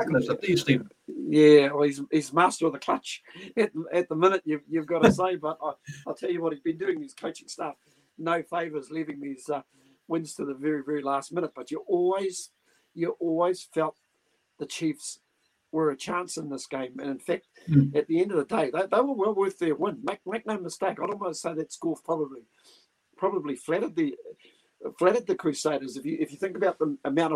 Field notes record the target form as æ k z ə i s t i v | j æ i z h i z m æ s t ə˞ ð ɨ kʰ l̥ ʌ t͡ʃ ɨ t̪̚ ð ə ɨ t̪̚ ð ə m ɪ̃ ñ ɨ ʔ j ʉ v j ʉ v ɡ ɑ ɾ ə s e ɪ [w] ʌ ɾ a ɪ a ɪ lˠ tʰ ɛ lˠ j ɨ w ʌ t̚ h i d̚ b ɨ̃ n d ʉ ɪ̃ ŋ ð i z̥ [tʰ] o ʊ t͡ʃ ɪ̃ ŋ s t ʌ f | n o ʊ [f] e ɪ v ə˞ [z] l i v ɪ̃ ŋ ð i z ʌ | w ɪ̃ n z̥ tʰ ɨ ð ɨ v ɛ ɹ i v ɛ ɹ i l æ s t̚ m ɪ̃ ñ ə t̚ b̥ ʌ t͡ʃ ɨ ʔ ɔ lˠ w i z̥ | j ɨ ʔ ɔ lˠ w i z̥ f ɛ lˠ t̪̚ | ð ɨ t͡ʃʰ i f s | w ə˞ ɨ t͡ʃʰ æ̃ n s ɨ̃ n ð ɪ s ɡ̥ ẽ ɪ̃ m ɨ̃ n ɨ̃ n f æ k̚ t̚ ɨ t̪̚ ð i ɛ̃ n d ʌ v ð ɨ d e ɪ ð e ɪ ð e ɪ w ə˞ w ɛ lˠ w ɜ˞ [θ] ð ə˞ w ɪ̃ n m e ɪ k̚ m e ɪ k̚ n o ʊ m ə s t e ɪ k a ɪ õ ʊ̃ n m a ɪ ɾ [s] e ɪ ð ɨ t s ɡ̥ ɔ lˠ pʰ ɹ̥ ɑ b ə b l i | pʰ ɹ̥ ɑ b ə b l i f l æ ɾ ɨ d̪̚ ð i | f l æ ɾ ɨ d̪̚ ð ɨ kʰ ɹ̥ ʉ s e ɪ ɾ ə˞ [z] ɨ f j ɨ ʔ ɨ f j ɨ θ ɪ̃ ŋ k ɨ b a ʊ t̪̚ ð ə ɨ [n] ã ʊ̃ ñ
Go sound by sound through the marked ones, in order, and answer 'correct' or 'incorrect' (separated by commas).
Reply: incorrect, incorrect, correct, correct, correct, correct, correct, incorrect